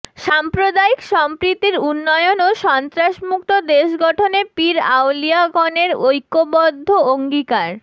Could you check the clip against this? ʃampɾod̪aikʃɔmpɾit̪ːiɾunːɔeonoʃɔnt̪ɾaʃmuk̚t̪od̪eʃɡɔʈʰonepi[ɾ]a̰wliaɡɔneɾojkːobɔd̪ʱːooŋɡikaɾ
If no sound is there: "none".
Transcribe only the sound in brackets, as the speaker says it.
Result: ɾ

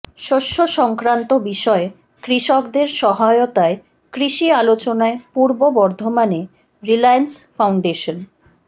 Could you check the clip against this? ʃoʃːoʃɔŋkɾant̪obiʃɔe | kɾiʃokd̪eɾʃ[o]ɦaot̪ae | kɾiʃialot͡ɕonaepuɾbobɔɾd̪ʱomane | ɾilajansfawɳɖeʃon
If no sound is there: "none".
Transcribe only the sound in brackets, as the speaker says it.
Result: ɔ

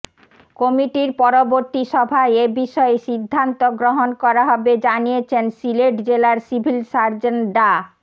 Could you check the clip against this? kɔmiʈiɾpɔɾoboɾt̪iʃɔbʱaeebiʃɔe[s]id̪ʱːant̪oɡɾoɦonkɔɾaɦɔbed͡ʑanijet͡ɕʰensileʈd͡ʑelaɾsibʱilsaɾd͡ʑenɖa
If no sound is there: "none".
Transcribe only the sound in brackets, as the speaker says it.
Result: ʃ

